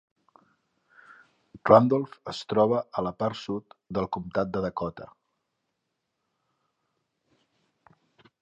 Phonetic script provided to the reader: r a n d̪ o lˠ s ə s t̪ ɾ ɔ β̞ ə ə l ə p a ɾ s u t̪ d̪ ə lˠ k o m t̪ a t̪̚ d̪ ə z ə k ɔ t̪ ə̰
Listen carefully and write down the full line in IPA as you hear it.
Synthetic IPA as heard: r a n d̪ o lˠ f ə s t̪ ɾ ɔ β̞ ə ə l ə p a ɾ s u t̪ d̪ ə lˠ k u m t̪ a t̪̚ d̪ ə ð ə k ɔ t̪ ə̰